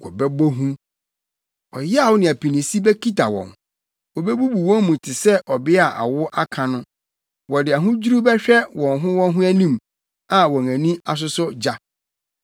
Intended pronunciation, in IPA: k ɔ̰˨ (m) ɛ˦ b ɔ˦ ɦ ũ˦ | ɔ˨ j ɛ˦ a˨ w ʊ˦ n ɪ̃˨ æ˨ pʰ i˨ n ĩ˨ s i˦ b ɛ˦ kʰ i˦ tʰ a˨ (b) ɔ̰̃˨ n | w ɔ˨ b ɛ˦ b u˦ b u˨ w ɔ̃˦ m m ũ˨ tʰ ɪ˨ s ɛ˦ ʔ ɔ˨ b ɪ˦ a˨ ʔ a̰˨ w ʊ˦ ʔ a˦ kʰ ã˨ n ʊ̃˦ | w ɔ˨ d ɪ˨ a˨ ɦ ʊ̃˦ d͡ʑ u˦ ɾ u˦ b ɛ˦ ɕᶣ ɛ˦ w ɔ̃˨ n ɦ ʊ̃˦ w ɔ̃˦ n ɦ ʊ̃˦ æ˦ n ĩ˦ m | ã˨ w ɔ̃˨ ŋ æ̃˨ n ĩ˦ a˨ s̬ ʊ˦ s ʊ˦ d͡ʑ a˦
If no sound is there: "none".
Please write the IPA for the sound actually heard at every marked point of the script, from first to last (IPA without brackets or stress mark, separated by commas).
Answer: b, w